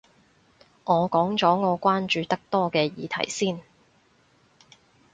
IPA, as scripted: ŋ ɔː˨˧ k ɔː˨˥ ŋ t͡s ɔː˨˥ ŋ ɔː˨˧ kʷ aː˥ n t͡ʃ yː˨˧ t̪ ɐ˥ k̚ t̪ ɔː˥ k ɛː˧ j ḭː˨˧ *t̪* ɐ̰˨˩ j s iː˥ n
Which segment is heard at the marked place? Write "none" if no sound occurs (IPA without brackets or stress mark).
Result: t̪ʰ